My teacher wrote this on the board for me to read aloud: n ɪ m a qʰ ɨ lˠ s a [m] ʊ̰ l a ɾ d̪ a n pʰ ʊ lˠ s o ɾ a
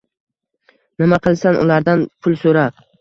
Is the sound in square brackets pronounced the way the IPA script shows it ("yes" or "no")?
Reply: no